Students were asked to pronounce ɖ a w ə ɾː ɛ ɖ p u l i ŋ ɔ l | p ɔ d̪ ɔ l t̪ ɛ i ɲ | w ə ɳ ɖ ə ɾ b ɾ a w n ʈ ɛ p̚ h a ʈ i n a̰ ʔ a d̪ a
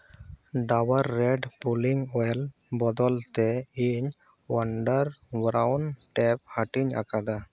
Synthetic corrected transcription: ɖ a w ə ɾː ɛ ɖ p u l i ŋ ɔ l | b ɔ d̪ ɔ l t̪ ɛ i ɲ | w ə ɳ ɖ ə ɾ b ɾ a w n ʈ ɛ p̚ h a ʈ i ɲ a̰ k a d̪ a